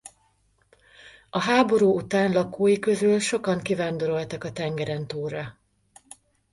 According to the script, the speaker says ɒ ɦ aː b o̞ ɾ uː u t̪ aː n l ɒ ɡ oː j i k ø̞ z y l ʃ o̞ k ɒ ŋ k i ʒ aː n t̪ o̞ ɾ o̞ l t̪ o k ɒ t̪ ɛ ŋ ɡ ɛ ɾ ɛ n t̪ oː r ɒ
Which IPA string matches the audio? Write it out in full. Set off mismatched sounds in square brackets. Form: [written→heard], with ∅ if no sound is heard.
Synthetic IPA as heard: ɒ ɦ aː b o̞ ɾ uː u t̪ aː n l ɒ [ɡ→k] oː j i k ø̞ z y l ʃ o̞ k ɒ ŋ k i [ʒ→v] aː n [t̪→d̪] o̞ ɾ o̞ l t̪ [o→ɒ] k ɒ t̪ ɛ ŋ ɡ ɛ ɾ ɛ n t̪ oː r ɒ

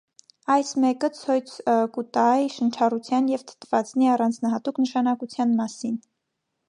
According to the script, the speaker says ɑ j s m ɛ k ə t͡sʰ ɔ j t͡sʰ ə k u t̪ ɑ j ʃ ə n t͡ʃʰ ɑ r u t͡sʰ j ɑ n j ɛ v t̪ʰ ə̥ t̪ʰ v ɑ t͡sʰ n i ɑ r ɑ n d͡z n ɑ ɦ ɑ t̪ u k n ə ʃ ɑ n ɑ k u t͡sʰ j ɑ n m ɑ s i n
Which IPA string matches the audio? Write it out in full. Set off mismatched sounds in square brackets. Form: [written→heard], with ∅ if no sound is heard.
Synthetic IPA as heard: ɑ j s m ɛ k ə t͡sʰ ɔ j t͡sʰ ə k u t̪ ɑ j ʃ ə n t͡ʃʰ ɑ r u t͡sʰ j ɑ n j ɛ v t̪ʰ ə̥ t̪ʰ v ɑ [t͡sʰ→t͡s] n i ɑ r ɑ n d͡z n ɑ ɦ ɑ t̪ u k n ə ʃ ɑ n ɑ k u t͡sʰ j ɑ n m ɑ s i n

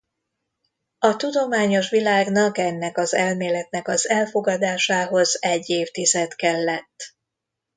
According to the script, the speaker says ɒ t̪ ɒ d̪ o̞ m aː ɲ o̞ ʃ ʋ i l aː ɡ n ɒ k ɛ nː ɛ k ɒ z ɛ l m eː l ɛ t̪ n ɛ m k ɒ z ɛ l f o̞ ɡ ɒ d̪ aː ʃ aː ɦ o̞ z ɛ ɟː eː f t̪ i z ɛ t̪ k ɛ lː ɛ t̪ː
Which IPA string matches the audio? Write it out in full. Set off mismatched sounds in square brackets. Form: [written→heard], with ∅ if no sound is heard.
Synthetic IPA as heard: ɒ t̪ [ɒ→u] d̪ o̞ m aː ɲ o̞ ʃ ʋ i l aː ɡ n ɒ k ɛ nː ɛ k ɒ z ɛ l m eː l ɛ t̪ n ɛ [m→∅] k ɒ z ɛ l f o̞ ɡ ɒ d̪ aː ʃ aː ɦ o̞ z ɛ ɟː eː f t̪ i z ɛ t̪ k ɛ lː ɛ t̪ː

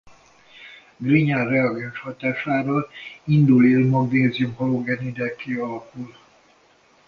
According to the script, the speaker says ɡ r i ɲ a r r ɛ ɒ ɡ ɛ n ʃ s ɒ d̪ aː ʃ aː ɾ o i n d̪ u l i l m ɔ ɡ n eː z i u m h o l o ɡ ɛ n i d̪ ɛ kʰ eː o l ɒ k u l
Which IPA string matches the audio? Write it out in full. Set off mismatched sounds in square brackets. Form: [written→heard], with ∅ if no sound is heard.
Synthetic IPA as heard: ɡ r i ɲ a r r ɛ ɒ ɡ ɛ n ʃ [s→h] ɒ [d̪→t̪] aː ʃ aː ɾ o i n d̪ u l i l m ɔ ɡ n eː z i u m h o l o ɡ ɛ n i d̪ ɛ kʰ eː [o→ɒ] l ɒ k u l

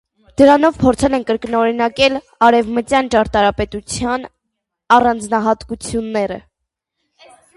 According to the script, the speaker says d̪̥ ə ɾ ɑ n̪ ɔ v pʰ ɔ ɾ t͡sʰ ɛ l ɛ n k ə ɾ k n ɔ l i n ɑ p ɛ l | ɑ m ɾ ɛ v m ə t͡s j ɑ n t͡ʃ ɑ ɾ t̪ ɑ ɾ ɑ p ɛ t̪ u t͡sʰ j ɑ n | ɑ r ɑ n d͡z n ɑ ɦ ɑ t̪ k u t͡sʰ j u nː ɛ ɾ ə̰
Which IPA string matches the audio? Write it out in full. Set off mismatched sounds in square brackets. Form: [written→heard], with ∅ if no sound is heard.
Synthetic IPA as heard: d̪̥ ə ɾ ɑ n̪ ɔ v pʰ ɔ ɾ t͡sʰ ɛ l ɛ n k ə ɾ k n ɔ [l→ɾ] i n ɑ [p→k] ɛ l | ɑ [m→∅] ɾ ɛ v m ə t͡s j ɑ n t͡ʃ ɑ ɾ t̪ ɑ ɾ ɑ p ɛ t̪ u t͡sʰ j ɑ n | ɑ r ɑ n d͡z n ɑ ɦ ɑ t̪ k u t͡sʰ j u nː ɛ ɾ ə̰

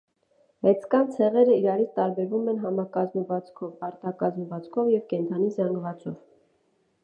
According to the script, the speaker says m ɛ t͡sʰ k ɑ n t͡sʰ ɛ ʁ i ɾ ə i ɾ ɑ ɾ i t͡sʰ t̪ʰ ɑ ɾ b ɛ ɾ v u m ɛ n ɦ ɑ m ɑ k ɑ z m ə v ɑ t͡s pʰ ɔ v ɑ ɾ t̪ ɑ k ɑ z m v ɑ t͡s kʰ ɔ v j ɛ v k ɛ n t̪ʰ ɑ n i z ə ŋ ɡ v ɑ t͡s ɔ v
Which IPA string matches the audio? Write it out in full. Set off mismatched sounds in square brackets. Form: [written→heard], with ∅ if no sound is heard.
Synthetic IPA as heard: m ɛ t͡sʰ k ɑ n t͡sʰ ɛ ʁ [i→ɛ] ɾ ə i ɾ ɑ ɾ i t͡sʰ [t̪ʰ→t̪] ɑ ɾ b ɛ ɾ v u m ɛ n ɦ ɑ m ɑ k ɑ z m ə v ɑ t͡s [pʰ→kʰ] ɔ v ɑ ɾ t̪ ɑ k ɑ z m v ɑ t͡s kʰ ɔ v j ɛ v k ɛ n t̪ʰ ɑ n i z [ə→ɑ] ŋ ɡ v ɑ t͡s ɔ v

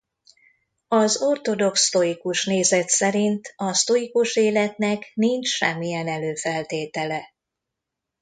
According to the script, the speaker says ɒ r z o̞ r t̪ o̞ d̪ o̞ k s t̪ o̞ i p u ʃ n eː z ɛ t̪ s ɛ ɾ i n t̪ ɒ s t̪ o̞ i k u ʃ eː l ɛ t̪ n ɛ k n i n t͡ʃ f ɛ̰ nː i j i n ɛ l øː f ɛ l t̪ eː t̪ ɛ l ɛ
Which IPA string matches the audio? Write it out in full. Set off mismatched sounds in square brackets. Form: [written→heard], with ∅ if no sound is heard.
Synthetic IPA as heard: ɒ [r→∅] z o̞ r t̪ o̞ d̪ o̞ k s t̪ o̞ i [p→k] u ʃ n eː z ɛ t̪ s ɛ ɾ i n t̪ ɒ s t̪ o̞ i k u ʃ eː l ɛ t̪ n ɛ k n i n t͡ʃ [f→ʃ] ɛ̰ [nː→mː] i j [i→ɛ] n ɛ l øː f ɛ l t̪ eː t̪ ɛ l ɛ

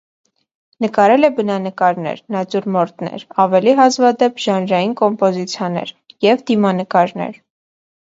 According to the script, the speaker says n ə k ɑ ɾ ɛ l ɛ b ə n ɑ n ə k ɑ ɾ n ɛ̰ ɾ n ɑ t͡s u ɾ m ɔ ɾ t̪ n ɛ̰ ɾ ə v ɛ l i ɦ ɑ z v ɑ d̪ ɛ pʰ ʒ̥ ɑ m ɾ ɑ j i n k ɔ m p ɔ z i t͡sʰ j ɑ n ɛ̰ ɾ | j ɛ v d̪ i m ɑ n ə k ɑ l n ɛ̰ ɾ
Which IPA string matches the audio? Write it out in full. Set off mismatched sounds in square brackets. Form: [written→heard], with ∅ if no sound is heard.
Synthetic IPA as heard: n ə k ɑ ɾ ɛ l ɛ b ə n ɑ n ə k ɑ ɾ n ɛ̰ ɾ n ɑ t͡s u ɾ m ɔ ɾ t̪ n ɛ̰ ɾ [ə→ɑ] v ɛ l i ɦ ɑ z v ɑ d̪ ɛ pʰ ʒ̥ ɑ [m→n] ɾ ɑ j i n k ɔ m p ɔ z i t͡sʰ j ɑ n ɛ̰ ɾ | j ɛ v d̪ i m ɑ n ə k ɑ [l→ɾ] n ɛ̰ ɾ

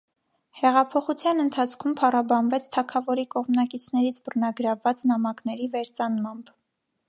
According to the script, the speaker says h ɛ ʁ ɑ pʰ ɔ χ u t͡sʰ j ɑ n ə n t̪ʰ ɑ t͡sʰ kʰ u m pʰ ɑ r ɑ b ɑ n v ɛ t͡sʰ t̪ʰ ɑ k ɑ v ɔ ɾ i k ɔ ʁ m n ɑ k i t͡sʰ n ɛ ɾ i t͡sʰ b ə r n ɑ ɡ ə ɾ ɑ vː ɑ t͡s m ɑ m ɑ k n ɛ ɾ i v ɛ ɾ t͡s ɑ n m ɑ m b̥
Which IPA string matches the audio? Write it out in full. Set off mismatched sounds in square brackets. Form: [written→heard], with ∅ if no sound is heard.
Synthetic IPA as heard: h ɛ ʁ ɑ pʰ ɔ χ u t͡sʰ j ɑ n ə n t̪ʰ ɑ t͡sʰ kʰ u m pʰ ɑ r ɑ b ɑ n v ɛ t͡sʰ t̪ʰ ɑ [k→kʰ] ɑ v ɔ ɾ i k ɔ ʁ m n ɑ k i t͡sʰ n ɛ ɾ i t͡sʰ b ə r n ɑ ɡ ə ɾ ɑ vː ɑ t͡s [m→n] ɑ m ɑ k n ɛ ɾ i v ɛ ɾ t͡s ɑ n m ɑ m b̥

